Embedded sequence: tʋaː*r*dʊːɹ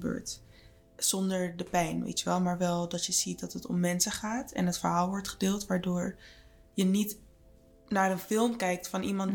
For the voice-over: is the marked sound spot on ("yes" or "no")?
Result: no